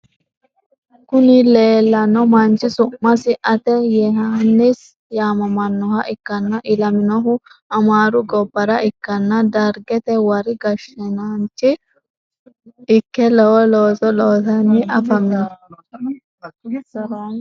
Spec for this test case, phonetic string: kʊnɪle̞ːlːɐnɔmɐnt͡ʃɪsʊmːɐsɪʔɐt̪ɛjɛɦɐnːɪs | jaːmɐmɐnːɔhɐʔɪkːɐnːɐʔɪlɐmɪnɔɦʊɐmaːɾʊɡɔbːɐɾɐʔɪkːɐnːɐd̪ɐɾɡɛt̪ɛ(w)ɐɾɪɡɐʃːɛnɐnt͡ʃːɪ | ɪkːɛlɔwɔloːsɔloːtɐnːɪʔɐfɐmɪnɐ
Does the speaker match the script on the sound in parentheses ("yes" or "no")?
yes